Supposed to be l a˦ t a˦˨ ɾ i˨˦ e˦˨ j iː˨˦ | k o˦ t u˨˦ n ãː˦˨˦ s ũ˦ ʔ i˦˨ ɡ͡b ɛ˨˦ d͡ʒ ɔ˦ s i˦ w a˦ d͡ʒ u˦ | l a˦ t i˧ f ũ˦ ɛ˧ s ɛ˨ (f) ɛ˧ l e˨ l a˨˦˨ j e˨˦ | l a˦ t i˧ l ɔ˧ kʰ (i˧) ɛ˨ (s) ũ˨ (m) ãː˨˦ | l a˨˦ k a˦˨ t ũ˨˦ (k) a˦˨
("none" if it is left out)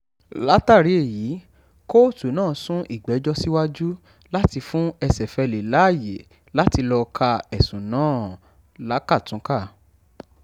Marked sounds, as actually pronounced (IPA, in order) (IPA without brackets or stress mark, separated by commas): f, a˧, s, n, k